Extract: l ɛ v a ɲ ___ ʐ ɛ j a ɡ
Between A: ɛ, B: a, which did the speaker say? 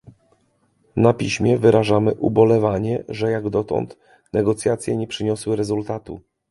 A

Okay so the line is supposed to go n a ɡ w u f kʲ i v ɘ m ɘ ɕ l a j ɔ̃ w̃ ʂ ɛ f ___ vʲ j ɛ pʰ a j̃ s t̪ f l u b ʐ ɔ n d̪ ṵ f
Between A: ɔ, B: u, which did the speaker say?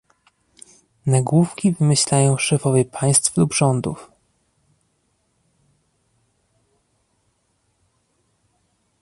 A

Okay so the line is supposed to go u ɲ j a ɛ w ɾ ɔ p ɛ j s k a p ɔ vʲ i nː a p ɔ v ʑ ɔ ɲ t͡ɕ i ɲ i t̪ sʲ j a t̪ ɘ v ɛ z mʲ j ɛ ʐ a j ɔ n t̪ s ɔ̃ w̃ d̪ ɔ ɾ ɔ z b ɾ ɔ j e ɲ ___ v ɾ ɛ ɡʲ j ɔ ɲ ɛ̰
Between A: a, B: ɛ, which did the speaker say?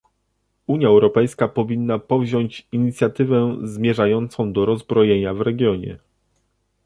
A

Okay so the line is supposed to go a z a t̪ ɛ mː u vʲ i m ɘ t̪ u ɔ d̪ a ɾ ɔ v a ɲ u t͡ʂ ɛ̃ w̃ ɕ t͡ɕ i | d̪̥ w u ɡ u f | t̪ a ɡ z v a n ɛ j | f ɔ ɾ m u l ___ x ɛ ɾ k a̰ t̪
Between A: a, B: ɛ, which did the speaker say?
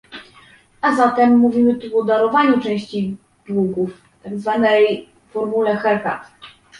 B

